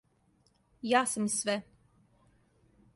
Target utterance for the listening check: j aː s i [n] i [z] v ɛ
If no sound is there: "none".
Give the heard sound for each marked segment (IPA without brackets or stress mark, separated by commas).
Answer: m, s